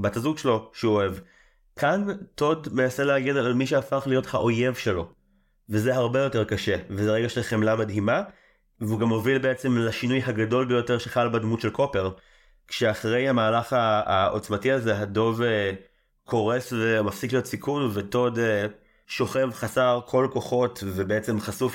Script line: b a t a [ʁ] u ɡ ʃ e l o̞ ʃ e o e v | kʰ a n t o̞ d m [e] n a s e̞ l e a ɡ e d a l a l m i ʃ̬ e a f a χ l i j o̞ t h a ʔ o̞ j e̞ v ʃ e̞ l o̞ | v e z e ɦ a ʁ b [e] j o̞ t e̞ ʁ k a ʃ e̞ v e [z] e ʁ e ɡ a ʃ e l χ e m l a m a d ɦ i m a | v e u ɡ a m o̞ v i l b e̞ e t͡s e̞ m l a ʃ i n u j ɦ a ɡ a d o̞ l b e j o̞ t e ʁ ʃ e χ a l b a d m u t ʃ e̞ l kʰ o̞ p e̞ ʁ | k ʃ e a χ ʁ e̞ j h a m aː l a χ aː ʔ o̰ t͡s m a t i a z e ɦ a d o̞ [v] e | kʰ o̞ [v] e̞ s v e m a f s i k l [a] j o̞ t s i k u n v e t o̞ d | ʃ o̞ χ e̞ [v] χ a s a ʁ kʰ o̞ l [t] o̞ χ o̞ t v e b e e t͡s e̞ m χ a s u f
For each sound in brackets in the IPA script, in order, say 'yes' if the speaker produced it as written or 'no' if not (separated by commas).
no, yes, yes, yes, yes, no, no, yes, no